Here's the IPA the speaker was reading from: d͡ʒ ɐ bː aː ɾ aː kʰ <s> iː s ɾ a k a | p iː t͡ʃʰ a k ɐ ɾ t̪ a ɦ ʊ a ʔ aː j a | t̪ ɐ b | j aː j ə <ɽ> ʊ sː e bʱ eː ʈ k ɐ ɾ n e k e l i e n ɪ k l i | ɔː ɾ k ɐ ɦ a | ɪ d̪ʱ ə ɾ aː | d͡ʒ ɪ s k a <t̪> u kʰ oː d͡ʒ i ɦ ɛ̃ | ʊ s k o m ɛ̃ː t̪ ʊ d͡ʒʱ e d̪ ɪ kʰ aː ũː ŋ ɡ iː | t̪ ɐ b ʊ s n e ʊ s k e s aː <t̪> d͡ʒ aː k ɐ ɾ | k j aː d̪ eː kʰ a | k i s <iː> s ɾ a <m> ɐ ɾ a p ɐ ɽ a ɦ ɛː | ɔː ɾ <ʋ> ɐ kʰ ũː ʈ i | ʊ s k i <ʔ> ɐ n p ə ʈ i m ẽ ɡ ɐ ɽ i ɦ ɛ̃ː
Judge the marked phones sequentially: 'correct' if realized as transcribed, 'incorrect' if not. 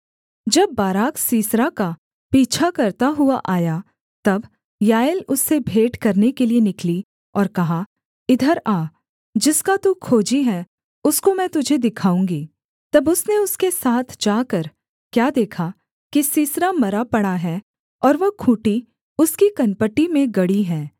correct, incorrect, correct, incorrect, correct, correct, correct, incorrect

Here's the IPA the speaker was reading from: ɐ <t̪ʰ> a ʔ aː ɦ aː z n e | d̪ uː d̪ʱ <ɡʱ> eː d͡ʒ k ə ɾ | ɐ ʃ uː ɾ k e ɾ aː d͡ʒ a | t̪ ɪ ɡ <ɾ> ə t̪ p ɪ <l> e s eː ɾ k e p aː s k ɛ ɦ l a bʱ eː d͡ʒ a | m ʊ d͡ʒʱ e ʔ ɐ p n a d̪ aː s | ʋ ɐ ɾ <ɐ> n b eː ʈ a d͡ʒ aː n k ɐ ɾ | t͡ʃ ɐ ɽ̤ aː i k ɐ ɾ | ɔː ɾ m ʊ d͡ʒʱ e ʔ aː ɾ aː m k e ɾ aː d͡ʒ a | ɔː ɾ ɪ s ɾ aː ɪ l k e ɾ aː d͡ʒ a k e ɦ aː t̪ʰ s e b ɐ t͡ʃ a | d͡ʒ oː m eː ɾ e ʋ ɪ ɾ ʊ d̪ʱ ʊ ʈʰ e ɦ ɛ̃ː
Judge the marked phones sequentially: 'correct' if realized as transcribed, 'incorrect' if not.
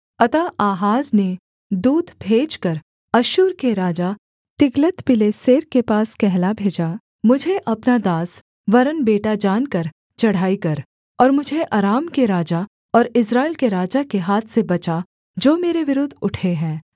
incorrect, incorrect, incorrect, correct, incorrect

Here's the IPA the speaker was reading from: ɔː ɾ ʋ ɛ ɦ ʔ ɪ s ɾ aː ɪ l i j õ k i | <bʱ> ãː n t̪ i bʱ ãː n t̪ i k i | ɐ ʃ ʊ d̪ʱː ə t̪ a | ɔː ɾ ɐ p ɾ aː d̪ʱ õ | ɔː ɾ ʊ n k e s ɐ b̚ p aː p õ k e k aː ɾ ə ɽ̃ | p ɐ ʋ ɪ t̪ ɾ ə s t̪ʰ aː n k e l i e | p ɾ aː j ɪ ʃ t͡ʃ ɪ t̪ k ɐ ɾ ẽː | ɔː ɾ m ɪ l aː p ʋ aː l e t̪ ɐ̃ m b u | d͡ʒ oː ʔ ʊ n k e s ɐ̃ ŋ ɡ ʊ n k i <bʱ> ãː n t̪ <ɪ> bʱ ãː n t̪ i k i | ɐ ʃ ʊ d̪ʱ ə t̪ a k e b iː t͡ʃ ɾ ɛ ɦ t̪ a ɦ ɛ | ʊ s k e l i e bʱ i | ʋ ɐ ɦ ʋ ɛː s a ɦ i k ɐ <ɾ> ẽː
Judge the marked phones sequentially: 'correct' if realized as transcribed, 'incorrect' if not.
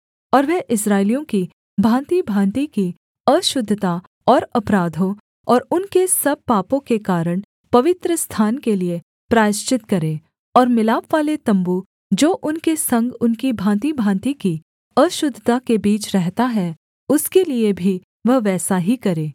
correct, correct, incorrect, correct

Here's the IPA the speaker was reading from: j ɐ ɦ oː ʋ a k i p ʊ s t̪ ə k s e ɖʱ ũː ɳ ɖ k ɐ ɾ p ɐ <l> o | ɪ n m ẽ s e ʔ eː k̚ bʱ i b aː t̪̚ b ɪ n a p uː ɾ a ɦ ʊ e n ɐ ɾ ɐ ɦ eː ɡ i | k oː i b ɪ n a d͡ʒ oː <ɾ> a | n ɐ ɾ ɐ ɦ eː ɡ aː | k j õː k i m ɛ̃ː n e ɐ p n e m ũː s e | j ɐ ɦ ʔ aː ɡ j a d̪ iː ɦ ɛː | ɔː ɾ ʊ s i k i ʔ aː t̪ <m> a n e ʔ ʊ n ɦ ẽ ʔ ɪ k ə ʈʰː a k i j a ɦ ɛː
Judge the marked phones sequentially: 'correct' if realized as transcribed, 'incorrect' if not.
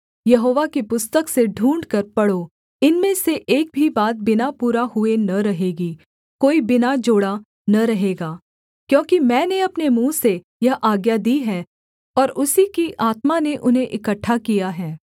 incorrect, incorrect, correct

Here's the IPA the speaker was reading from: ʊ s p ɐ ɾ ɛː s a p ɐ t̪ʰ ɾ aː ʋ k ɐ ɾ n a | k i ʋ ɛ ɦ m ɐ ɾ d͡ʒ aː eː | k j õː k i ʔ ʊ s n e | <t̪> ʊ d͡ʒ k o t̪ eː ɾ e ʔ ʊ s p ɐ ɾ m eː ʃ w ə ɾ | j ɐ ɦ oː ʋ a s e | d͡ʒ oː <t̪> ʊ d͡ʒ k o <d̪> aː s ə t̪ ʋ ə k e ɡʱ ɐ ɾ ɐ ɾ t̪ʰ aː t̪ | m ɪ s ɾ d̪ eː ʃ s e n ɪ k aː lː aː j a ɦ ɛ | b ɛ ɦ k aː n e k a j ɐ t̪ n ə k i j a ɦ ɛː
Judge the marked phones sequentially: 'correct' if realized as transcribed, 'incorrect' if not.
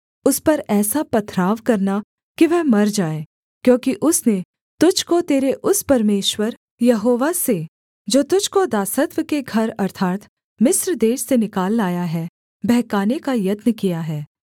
correct, correct, correct

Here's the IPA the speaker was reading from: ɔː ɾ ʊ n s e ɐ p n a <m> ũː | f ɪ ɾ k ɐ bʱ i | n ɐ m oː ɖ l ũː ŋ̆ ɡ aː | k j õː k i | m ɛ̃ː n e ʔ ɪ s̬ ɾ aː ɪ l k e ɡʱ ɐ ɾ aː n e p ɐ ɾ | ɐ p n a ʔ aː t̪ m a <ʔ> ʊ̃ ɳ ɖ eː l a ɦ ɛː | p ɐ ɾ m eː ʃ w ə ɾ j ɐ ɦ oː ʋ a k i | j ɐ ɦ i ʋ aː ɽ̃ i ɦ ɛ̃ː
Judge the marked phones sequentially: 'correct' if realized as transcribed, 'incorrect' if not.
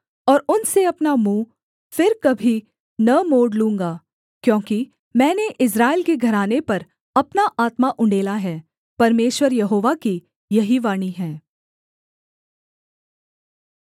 correct, correct

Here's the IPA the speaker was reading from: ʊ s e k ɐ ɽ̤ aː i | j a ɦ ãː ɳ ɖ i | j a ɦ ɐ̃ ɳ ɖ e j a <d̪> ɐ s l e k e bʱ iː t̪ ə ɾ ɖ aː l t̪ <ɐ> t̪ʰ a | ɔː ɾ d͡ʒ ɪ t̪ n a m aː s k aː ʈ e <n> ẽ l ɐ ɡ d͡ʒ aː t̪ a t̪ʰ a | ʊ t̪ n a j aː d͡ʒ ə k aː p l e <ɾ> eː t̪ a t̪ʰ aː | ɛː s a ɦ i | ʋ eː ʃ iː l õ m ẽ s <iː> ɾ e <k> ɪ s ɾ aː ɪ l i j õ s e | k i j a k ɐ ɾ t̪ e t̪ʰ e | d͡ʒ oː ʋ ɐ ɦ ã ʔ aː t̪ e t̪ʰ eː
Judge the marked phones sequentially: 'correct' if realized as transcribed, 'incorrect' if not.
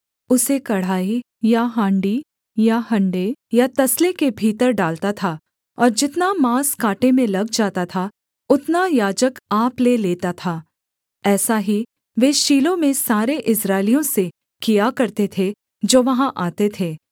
incorrect, incorrect, incorrect, incorrect, incorrect, incorrect

